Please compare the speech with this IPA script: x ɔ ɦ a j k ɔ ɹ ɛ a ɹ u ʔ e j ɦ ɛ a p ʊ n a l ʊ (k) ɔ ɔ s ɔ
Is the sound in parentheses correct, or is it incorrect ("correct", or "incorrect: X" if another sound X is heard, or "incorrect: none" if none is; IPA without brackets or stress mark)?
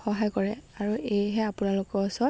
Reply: correct